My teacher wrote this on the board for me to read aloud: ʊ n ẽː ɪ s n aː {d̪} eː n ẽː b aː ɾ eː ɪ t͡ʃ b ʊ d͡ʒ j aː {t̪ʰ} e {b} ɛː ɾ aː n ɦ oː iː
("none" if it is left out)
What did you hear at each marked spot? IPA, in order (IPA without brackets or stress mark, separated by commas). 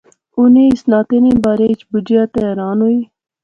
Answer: t̪, t̪, none